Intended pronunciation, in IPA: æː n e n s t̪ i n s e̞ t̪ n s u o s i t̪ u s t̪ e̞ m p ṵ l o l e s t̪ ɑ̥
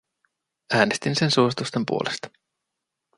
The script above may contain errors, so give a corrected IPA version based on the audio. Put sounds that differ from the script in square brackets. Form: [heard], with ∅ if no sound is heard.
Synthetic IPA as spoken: æː n e [∅] s t̪ i n s e̞ [∅] n s u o s i t̪ u s t̪ e̞ m p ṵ [∅] o l e s t̪ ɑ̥